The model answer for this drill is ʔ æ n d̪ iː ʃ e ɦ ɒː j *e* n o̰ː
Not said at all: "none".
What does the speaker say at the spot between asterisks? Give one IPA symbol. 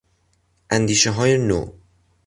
e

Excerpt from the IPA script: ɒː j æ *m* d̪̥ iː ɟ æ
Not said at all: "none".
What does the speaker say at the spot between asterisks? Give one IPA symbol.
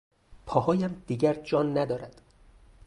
m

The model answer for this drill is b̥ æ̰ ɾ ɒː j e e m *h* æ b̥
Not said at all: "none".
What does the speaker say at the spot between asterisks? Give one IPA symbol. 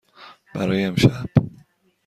ʃ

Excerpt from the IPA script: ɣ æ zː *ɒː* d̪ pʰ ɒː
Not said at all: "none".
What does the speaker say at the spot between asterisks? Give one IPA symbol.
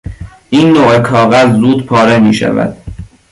uː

